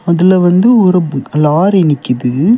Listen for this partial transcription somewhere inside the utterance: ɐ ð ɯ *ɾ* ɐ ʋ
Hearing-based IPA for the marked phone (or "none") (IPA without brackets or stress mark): l